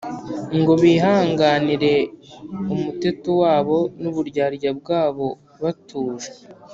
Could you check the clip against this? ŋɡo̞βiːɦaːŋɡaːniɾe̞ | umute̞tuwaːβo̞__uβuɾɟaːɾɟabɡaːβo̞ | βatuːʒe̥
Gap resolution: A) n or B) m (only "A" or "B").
A